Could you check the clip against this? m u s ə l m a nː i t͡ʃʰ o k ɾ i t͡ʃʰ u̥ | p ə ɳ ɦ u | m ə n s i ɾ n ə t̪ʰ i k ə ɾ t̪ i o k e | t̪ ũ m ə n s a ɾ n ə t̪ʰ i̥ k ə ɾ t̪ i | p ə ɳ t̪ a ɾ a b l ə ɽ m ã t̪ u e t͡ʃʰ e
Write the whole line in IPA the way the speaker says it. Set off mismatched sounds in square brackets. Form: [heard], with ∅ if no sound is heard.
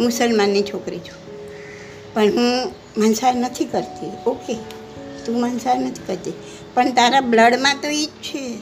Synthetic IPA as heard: m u s ə l m a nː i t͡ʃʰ o k ɾ i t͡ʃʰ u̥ | p ə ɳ ɦ [ũ] | m ə n s [a] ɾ n ə t̪ʰ i k ə ɾ t̪ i o k e | t̪ ũ m ə n s a ɾ n ə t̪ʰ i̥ k ə ɾ t̪ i | p ə ɳ t̪ a ɾ a b l ə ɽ m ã t̪ [o] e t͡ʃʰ e